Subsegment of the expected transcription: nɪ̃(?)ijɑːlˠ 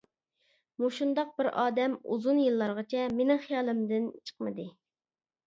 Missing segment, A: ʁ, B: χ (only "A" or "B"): B